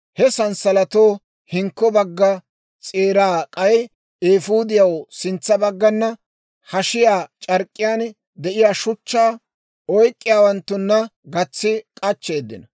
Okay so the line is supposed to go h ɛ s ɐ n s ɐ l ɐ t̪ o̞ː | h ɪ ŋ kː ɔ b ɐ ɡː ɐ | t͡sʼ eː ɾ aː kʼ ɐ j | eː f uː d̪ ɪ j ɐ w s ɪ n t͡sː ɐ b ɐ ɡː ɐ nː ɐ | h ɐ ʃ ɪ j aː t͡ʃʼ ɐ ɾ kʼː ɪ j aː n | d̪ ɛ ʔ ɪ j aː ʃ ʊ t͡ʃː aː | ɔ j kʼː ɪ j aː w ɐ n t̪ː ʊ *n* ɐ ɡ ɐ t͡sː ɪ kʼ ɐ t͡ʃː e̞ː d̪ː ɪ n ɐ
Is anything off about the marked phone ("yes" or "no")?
yes